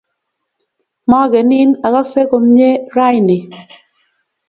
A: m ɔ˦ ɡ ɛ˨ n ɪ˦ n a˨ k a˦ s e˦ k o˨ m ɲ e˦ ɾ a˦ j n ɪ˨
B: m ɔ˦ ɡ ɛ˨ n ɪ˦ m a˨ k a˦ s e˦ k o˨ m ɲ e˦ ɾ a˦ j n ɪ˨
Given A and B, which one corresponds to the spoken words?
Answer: A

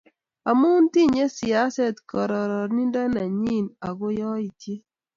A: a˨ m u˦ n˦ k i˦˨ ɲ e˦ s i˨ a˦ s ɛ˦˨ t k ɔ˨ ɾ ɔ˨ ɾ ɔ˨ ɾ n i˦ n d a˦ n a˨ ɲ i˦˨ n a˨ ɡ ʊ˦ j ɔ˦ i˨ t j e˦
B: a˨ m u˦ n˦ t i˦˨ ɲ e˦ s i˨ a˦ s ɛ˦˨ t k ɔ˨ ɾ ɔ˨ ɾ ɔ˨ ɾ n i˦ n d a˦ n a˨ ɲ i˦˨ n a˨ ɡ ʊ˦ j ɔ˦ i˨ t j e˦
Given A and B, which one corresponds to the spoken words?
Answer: B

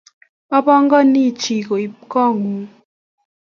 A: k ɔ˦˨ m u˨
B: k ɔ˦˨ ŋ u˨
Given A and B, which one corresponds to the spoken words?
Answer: B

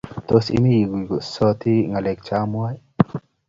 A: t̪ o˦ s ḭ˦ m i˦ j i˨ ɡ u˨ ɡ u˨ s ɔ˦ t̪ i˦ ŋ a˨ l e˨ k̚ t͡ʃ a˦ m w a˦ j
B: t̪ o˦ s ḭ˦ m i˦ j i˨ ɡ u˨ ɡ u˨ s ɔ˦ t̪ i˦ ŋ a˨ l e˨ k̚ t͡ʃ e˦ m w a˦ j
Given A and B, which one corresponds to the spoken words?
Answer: A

